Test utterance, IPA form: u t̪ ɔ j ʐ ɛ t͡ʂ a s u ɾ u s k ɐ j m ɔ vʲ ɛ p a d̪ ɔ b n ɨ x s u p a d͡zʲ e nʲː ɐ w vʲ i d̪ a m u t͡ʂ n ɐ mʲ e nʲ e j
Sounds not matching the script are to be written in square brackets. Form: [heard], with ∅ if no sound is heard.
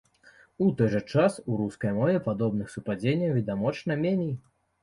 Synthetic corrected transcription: u t̪ ɔ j ʐ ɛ t͡ʂ a s u ɾ u s k ɐ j m ɔ vʲ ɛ p a d̪ ɔ b n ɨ x s u p a d͡zʲ e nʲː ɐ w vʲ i d̪ a m [ɔ] t͡ʂ n ɐ mʲ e nʲ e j